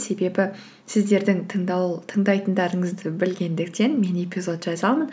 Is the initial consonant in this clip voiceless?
yes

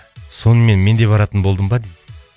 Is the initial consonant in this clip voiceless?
yes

